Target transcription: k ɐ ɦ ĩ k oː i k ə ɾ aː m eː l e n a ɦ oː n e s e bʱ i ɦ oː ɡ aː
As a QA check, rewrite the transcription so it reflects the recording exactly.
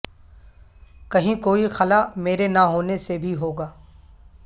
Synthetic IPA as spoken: k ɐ ɦ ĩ k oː i x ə l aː m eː ɾ e n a ɦ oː n e s e bʱ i ɦ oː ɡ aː